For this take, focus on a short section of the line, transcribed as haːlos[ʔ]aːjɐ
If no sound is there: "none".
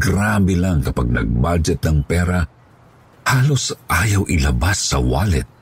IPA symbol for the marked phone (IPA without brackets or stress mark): ʔ